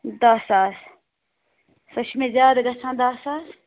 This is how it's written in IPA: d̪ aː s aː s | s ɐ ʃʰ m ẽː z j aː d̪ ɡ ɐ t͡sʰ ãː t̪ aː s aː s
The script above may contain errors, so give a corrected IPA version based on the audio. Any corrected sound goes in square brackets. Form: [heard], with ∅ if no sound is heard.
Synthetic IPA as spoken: d̪ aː s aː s | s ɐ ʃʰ m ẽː z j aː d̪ ɡ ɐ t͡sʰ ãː [d̪] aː s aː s